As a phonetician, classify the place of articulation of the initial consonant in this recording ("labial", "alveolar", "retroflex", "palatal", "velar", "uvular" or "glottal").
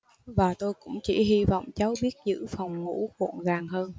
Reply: labial